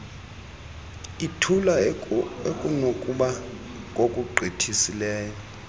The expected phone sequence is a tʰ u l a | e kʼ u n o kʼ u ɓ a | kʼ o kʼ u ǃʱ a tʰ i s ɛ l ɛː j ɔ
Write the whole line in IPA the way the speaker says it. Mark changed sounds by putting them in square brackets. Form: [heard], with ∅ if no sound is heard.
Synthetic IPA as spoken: [i] tʰ u l a | e kʼ u n o kʼ u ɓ a | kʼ o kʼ u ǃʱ [i] tʰ i s [i] l ɛː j ɔ